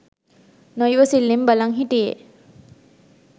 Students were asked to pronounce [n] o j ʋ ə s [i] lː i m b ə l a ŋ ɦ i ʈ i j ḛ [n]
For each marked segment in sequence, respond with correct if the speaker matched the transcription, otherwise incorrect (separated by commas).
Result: correct, correct, incorrect